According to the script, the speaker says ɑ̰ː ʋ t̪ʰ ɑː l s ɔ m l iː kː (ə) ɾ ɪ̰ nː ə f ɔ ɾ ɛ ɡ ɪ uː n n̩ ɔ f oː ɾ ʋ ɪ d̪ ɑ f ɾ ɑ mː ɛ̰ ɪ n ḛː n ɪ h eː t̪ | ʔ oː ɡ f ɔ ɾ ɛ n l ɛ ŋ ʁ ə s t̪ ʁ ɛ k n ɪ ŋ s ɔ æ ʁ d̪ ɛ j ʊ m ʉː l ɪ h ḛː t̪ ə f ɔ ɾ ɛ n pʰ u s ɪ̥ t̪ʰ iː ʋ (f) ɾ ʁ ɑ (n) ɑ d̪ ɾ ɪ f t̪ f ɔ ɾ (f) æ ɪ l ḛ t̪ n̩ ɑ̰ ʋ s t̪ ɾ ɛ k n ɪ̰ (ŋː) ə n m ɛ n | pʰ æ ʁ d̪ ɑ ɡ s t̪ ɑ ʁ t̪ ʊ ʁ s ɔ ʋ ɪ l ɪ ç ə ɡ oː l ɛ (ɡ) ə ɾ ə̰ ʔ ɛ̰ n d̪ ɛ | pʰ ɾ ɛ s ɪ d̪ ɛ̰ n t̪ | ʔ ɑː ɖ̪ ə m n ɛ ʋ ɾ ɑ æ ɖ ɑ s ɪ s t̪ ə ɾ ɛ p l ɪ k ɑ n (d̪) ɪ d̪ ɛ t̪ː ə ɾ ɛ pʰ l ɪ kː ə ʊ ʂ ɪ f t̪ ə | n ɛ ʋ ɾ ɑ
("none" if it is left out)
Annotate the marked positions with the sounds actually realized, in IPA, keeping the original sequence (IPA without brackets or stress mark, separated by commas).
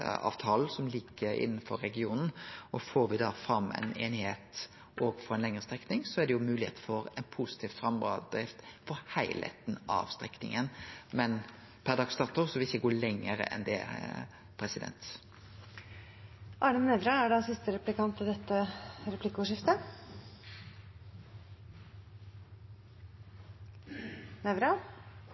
ə, f, m, h, ŋ, ŋ, t̪